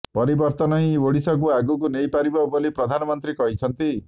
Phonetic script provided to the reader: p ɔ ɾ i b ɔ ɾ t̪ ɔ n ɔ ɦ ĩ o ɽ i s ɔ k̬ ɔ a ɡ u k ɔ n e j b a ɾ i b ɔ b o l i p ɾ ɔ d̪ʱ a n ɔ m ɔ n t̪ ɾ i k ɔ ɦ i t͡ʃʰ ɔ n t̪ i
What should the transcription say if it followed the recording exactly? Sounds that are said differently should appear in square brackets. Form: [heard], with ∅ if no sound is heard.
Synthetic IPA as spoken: p ɔ ɾ i b ɔ ɾ t̪ ɔ n ɔ ɦ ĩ o ɽ i s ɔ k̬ [u] a ɡ u k [u] n e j [p] a ɾ i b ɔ b o l i p ɾ ɔ d̪ʱ a n ɔ m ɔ n t̪ ɾ i k ɔ ɦ i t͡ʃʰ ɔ n t̪ i

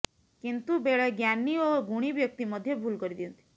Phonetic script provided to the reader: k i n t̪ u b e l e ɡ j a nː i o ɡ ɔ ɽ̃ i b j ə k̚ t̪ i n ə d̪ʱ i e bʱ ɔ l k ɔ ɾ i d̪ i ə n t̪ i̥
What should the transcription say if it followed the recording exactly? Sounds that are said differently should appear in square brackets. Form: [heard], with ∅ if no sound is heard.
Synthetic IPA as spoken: k i n t̪ u b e [ɭ] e ɡ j a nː i o ɡ [u] ɽ̃ i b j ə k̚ t̪ i [m] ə d̪ʱ [j] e bʱ [u] l k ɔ ɾ i d̪ i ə n t̪ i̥

